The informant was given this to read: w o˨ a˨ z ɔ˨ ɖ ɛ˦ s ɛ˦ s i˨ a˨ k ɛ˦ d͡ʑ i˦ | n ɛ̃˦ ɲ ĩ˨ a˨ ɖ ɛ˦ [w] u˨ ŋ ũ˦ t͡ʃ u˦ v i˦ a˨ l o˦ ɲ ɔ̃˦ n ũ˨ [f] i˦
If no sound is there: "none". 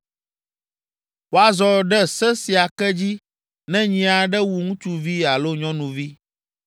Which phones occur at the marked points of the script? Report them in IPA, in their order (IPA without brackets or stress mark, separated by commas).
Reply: w, v